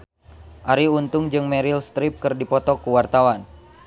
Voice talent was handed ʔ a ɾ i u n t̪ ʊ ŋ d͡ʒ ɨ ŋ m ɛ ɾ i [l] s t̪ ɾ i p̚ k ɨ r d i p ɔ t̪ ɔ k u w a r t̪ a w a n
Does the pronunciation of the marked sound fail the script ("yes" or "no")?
no